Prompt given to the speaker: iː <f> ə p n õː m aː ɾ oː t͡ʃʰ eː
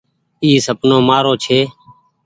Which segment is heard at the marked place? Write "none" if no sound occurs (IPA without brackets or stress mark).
s